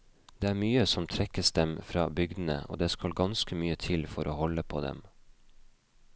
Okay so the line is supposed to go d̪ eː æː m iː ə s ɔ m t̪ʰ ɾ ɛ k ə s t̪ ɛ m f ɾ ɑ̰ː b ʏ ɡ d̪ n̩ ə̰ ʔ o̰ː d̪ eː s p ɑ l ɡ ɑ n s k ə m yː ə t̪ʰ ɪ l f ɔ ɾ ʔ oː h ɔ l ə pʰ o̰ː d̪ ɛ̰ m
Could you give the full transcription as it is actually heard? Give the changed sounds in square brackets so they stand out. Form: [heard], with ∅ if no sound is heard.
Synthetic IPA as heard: d̪ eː æː m [yː] ə s ɔ m t̪ʰ ɾ ɛ k ə s [d̪] ɛ m f ɾ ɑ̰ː b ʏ ɡ d̪ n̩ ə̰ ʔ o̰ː d̪ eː s [k] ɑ l ɡ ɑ n s k ə m yː ə t̪ʰ ɪ l f ɔ ɾ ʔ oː h ɔ l ə pʰ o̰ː d̪ ɛ̰ m

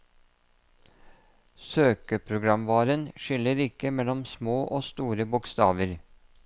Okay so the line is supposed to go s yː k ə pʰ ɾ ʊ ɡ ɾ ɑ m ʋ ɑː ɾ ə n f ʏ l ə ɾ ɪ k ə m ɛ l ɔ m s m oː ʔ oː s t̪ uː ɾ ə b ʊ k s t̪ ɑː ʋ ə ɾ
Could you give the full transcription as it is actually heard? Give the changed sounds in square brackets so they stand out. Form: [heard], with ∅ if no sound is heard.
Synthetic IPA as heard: s [øː] k ə pʰ ɾ ʊ ɡ ɾ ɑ m ʋ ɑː ɾ ə n [ʃ] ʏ l ə ɾ ɪ k ə m ɛ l ɔ m s m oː ʔ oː s t̪ uː ɾ ə b ʊ k s t̪ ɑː ʋ ə ɾ

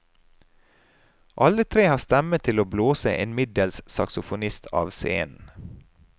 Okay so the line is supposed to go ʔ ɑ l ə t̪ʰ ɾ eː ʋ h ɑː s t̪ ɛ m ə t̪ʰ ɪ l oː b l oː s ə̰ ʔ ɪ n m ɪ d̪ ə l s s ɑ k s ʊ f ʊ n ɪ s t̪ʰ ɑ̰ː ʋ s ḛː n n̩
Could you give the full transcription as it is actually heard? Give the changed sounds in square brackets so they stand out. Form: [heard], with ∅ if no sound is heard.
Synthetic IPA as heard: ʔ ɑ l ə t̪ʰ ɾ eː [∅] h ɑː s t̪ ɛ m ə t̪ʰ ɪ l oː b l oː s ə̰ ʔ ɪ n m ɪ d̪ ə l s s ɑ k s ʊ f ʊ n ɪ s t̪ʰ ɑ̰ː ʋ s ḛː n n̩

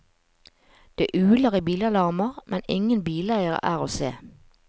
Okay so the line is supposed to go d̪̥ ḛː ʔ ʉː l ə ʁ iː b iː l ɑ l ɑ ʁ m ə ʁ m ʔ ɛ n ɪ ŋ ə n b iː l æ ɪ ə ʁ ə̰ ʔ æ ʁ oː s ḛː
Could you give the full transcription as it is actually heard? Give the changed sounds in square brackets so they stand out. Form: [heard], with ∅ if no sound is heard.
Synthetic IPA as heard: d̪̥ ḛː ʔ ʉː l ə ʁ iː b iː l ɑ l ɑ ʁ m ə ʁ m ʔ ɛ n ɪ ŋ ə n b iː l æ ɪ ə ʁ ə̰ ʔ [æː] ʁ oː s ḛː

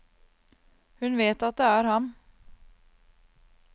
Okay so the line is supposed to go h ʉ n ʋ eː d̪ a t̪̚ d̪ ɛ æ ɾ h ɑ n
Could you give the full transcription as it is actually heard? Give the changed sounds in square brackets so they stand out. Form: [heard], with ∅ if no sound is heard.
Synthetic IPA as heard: h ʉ n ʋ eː [t̪] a t̪̚ d̪ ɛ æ ɾ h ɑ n

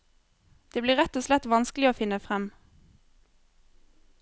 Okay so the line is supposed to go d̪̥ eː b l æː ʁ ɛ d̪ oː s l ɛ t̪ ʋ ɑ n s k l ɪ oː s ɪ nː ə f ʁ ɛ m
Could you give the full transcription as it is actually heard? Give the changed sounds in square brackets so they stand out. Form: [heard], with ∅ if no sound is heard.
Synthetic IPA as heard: d̪̥ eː b l [iː] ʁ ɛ [t̪] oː s l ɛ t̪ ʋ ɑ n s k l ɪ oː [f] ɪ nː ə f ʁ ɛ m

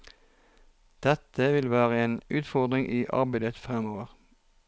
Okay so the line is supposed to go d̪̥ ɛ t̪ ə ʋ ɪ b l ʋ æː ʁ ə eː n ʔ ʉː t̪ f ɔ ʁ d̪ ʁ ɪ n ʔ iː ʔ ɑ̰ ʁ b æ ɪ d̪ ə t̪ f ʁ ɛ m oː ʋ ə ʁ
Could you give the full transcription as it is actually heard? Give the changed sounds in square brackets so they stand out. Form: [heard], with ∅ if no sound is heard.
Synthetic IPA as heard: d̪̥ ɛ t̪ ə ʋ ɪ [∅] l ʋ æː ʁ ə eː n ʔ ʉː t̪ f ɔ ʁ d̪ ʁ ɪ [ŋ] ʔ iː ʔ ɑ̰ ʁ b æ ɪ d̪ ə t̪ f ʁ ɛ m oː ʋ ə ʁ

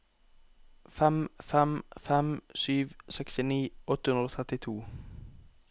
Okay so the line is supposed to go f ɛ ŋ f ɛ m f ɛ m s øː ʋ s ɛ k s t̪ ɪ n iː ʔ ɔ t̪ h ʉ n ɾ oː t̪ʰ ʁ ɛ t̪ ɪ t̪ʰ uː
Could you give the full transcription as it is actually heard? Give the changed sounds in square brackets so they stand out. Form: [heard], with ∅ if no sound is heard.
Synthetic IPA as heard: f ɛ [m] f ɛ m f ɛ m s [yː] ʋ s ɛ k s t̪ ɪ n iː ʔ ɔ t̪ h ʉ n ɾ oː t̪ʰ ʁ ɛ t̪ ɪ t̪ʰ uː

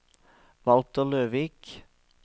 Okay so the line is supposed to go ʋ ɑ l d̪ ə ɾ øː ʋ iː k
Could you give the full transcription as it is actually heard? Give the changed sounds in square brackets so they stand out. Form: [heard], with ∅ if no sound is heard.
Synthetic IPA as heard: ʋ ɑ l [t̪] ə [l] øː ʋ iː k

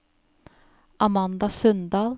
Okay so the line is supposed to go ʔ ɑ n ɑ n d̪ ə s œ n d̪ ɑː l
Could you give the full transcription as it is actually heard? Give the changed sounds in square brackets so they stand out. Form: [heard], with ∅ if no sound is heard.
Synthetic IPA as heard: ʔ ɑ [m] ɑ n d̪ [ɑ] s œ n d̪ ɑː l

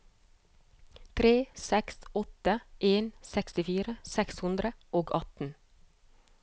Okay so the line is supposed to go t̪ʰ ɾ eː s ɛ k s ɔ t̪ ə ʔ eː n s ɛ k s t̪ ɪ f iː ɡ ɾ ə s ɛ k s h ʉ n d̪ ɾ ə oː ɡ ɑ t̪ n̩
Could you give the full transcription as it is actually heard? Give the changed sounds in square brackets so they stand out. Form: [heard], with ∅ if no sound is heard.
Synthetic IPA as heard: t̪ʰ ɾ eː s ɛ k s ɔ t̪ ə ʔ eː n s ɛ k s t̪ ɪ f iː [∅] ɾ ə s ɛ k s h ʉ n d̪ ɾ ə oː ɡ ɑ t̪ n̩

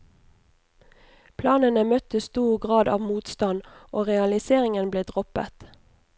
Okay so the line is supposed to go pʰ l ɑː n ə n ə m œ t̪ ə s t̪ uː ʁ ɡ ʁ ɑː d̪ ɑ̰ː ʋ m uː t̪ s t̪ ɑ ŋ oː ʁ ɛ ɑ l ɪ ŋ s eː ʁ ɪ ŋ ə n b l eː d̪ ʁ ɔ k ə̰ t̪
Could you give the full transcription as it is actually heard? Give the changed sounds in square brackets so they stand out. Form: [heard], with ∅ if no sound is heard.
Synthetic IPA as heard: pʰ l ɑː n ə n ə m œ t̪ ə s t̪ uː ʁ ɡ ʁ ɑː d̪ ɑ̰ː ʋ m uː t̪ s t̪ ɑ [n] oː ʁ ɛ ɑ l ɪ [∅] s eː ʁ ɪ ŋ ə n b l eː d̪ ʁ ɔ [p] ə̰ t̪

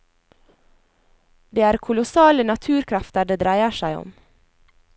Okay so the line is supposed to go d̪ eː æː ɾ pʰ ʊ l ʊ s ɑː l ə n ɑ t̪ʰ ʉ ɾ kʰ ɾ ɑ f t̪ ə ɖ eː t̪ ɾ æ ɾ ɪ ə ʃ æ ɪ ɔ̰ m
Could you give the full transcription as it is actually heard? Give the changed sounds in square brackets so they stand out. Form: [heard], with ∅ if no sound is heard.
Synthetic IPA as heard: d̪ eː æː ɾ [kʰ] ʊ l ʊ s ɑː l ə n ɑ t̪ʰ [ʉː] ɾ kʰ ɾ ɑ f t̪ ə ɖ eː [d̪] ɾ æ [∅] ɪ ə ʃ æ ɪ ɔ̰ m

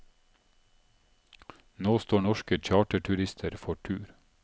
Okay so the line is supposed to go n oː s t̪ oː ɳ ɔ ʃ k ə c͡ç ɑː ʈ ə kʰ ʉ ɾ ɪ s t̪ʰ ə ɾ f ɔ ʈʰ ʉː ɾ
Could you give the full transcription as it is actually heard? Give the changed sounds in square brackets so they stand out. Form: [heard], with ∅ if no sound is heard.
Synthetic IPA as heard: n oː s t̪ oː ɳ ɔ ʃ k ə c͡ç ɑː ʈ ə [ʈʰ] ʉ ɾ ɪ s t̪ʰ ə ɾ f ɔ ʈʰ ʉː ɾ

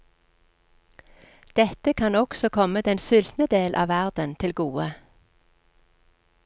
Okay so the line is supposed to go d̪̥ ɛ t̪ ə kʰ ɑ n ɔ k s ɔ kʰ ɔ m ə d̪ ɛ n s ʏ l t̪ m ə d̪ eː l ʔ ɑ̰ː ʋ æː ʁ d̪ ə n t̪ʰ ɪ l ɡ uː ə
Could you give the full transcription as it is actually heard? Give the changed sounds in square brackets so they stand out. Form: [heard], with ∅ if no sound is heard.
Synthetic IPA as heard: d̪̥ ɛ t̪ ə kʰ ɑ n ɔ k s ɔ kʰ ɔ m ə d̪ ɛ n s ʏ l t̪ [n] ə d̪ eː l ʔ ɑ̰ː ʋ [æ] ʁ d̪ ə n t̪ʰ ɪ l ɡ uː ə

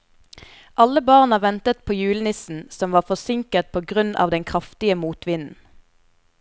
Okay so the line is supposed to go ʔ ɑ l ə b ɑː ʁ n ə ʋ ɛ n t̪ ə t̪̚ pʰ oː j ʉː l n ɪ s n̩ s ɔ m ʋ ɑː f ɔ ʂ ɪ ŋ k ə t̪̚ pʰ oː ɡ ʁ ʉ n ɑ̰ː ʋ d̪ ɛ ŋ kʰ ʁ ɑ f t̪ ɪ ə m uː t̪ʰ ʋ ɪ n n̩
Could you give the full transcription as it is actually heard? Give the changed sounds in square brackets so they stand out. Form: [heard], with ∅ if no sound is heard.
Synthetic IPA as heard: ʔ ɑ l ə b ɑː ʁ n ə ʋ ɛ n t̪ ə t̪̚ pʰ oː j ʉː l n ɪ s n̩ s ɔ m ʋ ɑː f ɔ [s] ɪ ŋ k ə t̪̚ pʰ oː ɡ ʁ ʉ n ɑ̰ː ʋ d̪ ɛ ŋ kʰ ʁ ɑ f t̪ ɪ ə m uː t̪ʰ ʋ ɪ n n̩

